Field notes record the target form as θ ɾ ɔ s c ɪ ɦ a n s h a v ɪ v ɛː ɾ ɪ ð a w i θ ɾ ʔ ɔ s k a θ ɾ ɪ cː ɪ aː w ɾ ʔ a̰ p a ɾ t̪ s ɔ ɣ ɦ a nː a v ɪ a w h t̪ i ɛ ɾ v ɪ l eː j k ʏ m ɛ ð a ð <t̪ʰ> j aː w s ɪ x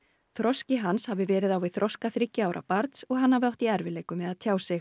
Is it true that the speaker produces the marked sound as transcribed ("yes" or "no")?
yes